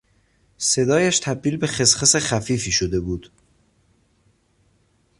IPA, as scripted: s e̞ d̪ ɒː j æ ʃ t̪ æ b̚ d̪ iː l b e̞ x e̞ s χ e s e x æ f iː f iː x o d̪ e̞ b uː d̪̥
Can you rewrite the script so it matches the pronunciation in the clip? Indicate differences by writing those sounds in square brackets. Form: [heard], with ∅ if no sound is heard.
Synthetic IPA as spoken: s e̞ d̪ ɒː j æ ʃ [t̪ʰ] æ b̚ d̪ iː l b e̞ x e̞ s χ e s e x æ f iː f iː [ʃ] o d̪ e̞ b uː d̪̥